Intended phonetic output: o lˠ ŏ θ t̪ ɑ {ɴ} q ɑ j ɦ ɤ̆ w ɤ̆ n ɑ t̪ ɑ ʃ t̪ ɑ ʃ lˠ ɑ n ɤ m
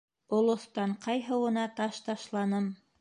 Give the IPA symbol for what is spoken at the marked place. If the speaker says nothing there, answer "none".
ɴ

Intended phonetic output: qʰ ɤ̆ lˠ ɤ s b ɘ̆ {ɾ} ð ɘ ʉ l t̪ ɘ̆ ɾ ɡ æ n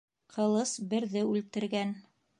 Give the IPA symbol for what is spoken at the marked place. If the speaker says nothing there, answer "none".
ɾ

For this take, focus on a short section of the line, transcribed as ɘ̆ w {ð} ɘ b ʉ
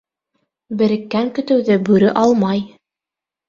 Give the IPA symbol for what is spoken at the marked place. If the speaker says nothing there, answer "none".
ð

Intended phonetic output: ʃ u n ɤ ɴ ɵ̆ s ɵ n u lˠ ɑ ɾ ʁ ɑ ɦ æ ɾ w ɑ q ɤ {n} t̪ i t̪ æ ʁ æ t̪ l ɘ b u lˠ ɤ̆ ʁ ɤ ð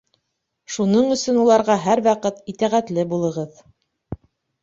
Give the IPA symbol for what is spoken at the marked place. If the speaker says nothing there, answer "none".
none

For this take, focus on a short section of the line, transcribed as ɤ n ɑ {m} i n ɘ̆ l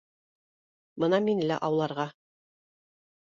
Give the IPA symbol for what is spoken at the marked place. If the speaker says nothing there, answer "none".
m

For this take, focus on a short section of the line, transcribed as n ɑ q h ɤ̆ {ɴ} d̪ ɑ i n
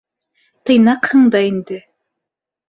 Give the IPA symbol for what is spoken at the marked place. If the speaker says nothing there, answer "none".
ɴ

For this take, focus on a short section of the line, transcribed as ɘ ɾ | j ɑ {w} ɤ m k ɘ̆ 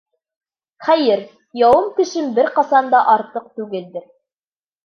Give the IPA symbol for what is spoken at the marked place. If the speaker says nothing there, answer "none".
w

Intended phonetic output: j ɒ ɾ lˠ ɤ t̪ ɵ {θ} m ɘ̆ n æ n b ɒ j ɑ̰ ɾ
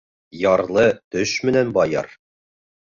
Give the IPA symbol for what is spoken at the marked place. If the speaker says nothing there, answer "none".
ʃ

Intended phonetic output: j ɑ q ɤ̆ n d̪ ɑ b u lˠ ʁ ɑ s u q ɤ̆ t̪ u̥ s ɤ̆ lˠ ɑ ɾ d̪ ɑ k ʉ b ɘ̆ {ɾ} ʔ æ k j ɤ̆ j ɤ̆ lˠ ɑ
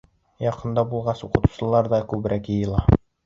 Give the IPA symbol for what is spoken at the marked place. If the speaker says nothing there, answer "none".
ɾ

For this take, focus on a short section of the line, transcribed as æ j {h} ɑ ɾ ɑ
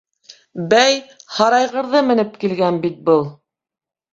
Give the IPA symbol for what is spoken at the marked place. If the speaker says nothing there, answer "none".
h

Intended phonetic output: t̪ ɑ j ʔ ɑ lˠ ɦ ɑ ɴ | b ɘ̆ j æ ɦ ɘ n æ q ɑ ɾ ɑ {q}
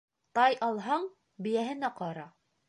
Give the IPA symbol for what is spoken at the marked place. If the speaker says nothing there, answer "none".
none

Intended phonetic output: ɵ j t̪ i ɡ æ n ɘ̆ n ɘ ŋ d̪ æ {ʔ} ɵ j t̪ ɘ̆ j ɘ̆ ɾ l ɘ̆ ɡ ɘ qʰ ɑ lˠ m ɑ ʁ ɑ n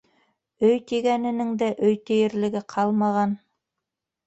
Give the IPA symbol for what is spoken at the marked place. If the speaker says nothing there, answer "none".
ʔ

